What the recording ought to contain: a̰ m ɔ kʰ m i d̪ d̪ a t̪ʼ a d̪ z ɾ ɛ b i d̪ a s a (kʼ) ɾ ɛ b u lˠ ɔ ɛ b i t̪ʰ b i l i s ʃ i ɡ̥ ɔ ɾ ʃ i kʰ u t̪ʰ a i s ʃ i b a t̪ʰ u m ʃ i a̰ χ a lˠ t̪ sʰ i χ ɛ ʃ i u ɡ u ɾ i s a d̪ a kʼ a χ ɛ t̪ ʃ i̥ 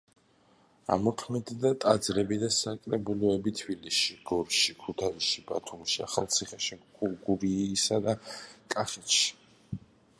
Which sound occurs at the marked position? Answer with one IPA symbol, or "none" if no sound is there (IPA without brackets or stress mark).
kʼ